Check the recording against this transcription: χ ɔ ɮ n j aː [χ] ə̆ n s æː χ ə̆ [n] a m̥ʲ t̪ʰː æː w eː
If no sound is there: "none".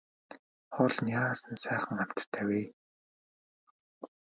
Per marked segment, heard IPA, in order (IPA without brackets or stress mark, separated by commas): s, ŋ